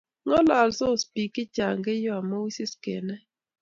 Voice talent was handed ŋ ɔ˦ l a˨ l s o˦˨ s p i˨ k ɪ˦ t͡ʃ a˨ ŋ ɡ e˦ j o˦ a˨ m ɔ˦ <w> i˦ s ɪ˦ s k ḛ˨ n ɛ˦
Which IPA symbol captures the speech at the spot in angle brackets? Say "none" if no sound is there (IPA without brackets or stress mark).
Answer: w